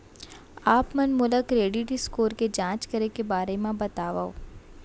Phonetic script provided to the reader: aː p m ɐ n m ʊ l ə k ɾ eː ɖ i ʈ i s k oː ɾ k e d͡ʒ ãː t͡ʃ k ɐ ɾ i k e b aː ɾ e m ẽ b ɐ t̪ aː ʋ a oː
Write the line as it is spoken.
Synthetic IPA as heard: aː p m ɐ n m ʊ l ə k ɾ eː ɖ i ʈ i s k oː ɾ k e d͡ʒ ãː t͡ʃ k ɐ ɾ e k e b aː ɾ e m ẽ b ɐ t̪ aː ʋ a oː